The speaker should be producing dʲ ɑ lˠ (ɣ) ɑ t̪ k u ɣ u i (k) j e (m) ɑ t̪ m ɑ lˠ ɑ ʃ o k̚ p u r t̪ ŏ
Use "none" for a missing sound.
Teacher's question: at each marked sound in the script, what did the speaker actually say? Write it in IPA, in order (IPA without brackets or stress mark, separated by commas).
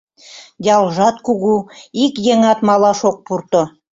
ʒ, k, ŋ